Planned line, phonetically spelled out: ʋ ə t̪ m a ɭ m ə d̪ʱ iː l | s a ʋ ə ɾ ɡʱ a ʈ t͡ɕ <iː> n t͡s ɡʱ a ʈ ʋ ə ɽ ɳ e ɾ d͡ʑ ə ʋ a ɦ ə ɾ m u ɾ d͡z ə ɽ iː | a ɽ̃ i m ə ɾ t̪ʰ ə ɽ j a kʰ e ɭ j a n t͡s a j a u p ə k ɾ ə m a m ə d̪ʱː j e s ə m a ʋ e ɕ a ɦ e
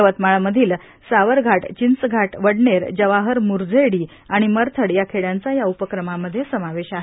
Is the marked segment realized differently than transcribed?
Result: yes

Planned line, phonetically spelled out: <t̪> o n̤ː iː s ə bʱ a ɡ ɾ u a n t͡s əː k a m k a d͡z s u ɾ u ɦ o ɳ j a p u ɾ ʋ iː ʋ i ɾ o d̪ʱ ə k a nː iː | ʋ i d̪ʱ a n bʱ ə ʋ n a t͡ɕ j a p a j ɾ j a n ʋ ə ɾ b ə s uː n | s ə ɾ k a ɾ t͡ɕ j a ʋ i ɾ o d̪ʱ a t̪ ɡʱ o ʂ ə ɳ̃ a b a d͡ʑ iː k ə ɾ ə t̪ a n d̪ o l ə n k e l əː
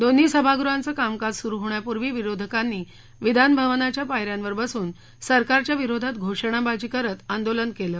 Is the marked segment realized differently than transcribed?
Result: yes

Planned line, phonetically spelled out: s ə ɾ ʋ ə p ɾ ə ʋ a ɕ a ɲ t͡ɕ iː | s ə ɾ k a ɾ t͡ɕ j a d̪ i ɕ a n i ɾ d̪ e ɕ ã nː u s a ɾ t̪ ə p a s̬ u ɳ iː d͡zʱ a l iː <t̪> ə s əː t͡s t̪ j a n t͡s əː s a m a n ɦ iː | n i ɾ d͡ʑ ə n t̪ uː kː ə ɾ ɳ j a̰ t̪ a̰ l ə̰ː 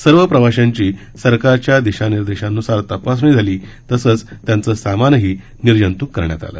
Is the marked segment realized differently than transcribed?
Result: no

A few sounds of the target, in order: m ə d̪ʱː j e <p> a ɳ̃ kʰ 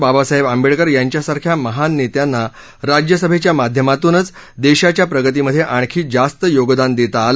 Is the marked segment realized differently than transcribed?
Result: yes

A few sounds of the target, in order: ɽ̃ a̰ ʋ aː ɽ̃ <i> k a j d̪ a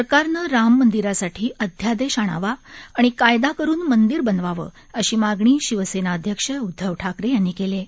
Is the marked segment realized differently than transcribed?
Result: no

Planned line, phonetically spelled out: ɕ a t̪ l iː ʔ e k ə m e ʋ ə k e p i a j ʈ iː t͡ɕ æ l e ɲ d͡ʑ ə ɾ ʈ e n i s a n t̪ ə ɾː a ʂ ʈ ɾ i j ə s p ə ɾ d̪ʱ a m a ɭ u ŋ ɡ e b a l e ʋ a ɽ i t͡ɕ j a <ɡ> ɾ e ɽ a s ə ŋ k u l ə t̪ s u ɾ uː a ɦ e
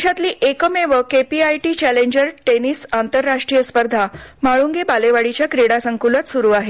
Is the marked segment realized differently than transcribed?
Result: yes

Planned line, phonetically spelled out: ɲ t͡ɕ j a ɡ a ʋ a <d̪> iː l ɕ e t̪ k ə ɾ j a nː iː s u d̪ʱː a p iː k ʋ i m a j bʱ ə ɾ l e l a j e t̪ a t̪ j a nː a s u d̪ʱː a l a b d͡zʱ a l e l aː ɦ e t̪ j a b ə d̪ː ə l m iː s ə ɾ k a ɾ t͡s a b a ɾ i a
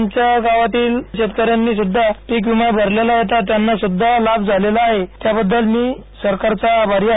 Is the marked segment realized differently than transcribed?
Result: yes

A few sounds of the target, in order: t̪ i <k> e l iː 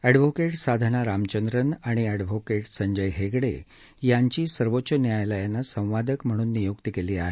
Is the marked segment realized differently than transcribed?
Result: no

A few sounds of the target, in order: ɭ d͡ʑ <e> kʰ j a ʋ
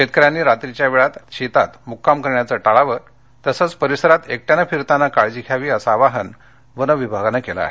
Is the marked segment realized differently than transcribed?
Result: yes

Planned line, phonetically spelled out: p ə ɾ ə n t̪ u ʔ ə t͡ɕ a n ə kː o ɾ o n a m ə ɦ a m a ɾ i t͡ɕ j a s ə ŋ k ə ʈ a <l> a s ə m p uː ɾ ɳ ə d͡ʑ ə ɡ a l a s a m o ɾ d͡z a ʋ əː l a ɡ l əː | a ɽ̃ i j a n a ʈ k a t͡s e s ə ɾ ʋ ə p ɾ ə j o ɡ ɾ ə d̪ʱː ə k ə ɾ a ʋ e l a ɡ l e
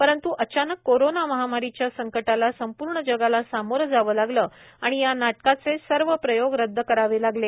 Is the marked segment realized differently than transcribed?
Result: no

